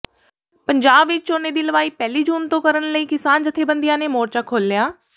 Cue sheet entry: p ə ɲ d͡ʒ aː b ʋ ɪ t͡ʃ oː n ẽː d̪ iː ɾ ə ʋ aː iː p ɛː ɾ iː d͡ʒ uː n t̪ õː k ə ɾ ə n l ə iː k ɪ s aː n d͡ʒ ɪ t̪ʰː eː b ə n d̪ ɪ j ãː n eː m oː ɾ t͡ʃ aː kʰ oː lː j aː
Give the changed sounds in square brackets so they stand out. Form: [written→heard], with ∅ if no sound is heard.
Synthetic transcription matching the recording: p ə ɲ d͡ʒ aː b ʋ ɪ t͡ʃ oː n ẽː d̪ iː [ɾ→l] ə ʋ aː iː p ɛː [ɾ→l] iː d͡ʒ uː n t̪ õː k ə ɾ ə n l ə iː k ɪ s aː n d͡ʒ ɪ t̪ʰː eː b ə n d̪ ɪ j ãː n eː m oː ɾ t͡ʃ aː kʰ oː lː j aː

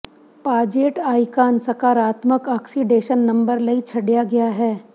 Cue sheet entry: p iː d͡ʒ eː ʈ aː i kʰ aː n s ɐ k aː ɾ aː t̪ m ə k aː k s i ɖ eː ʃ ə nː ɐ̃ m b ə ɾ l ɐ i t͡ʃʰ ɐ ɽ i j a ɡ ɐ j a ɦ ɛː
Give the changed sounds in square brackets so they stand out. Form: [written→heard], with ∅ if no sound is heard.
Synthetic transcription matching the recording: p [iː→aː] d͡ʒ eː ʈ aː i [kʰ→k] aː n s ɐ k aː ɾ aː t̪ m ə k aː k s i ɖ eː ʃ ə nː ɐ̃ m b ə ɾ l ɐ i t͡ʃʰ ɐ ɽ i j a ɡ ɐ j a ɦ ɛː

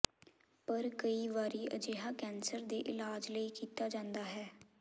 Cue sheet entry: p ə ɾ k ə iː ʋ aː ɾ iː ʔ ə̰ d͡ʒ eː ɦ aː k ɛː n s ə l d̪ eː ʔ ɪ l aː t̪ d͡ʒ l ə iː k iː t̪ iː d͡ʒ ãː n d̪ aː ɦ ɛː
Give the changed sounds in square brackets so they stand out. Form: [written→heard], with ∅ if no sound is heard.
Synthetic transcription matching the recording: p ə ɾ k ə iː ʋ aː ɾ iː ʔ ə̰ d͡ʒ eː ɦ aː k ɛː n s ə [l→ɾ] d̪ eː ʔ ɪ l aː [t̪→∅] d͡ʒ l ə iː k iː t̪ [iː→aː] d͡ʒ ãː n d̪ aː ɦ ɛː

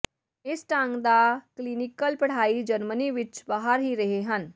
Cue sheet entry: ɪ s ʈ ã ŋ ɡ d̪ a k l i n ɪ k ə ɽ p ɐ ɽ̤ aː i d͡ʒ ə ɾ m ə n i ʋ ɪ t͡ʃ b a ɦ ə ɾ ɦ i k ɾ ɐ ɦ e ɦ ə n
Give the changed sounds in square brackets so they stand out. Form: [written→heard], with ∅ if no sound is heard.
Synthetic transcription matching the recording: ɪ s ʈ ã ŋ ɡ d̪ a k l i n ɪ k ə [ɽ→l] p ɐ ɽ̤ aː i d͡ʒ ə ɾ m ə n i ʋ ɪ t͡ʃ b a ɦ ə ɾ ɦ i [k→∅] ɾ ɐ ɦ e ɦ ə n

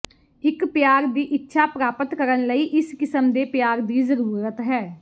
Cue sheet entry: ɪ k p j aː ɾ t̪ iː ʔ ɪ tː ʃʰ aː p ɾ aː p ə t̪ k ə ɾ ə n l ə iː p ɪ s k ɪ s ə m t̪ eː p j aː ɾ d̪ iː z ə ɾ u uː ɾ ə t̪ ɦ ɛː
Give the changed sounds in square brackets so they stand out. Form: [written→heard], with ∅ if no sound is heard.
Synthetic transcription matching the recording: ɪ k p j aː ɾ [t̪→d̪] iː ʔ ɪ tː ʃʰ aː p ɾ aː p ə t̪ k ə ɾ ə n l ə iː [p→ʔ] ɪ s k ɪ s ə m [t̪→d̪] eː p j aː ɾ d̪ iː z ə ɾ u uː ɾ ə t̪ ɦ ɛː

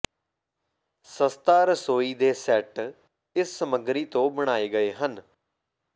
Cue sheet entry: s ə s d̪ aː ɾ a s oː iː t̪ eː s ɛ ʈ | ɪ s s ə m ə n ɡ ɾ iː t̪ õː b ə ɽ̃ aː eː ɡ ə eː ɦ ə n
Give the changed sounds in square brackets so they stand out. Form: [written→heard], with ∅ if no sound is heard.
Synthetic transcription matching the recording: s ə s [d̪→t̪] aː ɾ [a→ə] s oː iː [t̪→d̪] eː s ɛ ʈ | ɪ s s ə m ə [n→∅] ɡ ɾ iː t̪ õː b ə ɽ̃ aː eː ɡ ə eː ɦ ə n

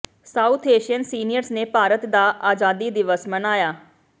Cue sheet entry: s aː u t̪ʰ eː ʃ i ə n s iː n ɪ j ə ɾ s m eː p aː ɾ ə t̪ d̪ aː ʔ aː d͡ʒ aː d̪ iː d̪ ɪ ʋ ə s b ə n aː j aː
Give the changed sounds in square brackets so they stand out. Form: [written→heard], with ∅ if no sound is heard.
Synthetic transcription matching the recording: s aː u t̪ʰ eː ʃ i ə n s iː n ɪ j ə ɾ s [m→n] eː p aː ɾ ə t̪ d̪ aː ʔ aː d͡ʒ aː d̪ iː d̪ ɪ ʋ ə s [b→m] ə n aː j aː

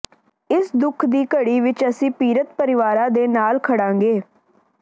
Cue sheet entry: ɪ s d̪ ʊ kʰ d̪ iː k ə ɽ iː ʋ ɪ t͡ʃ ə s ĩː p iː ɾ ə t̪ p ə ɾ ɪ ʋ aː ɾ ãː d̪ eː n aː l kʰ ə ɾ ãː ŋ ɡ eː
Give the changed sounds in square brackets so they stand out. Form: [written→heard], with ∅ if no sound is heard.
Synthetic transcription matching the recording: ɪ s d̪ ʊ kʰ d̪ iː k ə ɽ iː ʋ ɪ t͡ʃ ə s ĩː p iː ɾ ə t̪ p ə ɾ ɪ ʋ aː ɾ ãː d̪ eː n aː l kʰ ə [ɾ→ɽ] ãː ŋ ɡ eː

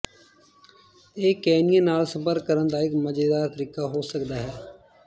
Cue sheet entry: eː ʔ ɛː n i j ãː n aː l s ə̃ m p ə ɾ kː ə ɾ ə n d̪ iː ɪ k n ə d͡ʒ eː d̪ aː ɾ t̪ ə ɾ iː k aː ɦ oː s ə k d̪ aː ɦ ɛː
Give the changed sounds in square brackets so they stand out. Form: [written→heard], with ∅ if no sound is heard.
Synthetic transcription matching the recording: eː [ʔ→k] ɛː n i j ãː n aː l s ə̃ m p ə ɾ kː ə ɾ ə n d̪ [iː→aː] ɪ k [n→m] ə d͡ʒ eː d̪ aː ɾ t̪ ə ɾ iː k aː ɦ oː s ə k d̪ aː ɦ ɛː

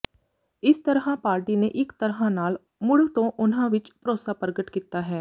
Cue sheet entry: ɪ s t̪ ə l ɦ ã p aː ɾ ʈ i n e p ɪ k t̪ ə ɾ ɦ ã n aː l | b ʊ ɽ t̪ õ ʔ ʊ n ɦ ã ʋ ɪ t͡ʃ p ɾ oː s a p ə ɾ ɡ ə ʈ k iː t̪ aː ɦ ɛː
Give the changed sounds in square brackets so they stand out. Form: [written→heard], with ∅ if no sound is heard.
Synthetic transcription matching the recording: ɪ s t̪ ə [l→ɾ] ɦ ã p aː ɾ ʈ i n e [p→ʔ] ɪ k t̪ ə ɾ ɦ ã n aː l | [b→m] ʊ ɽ t̪ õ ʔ ʊ n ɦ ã ʋ ɪ t͡ʃ p ɾ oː s a p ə ɾ ɡ ə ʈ k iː t̪ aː ɦ ɛː

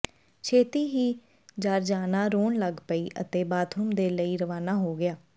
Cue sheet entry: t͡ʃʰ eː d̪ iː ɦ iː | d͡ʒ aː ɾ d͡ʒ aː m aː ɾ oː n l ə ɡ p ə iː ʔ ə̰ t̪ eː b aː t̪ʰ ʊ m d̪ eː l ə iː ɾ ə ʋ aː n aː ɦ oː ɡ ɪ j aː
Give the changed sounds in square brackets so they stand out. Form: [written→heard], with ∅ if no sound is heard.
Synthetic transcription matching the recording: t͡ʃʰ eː [d̪→t̪] iː ɦ iː | d͡ʒ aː ɾ d͡ʒ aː [m→n] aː ɾ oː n l ə ɡ p ə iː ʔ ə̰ t̪ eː b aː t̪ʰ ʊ m d̪ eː l ə iː ɾ ə ʋ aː n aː ɦ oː ɡ ɪ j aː

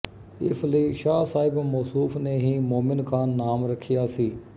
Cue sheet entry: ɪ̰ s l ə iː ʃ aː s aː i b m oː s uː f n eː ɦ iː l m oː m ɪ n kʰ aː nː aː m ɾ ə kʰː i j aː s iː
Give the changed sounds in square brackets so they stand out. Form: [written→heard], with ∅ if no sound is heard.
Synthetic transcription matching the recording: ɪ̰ s l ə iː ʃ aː s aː [i→ɪ] b m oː s uː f n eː ɦ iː [l→∅] m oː m ɪ n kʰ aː nː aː m ɾ ə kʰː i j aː s iː

